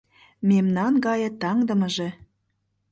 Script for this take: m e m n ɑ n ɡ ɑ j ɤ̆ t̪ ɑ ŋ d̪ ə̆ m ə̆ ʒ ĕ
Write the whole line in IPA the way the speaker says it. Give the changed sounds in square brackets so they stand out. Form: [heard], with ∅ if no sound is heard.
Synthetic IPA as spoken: m e m n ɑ n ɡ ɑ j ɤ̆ t̪ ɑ ŋ d̪ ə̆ m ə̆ ʒ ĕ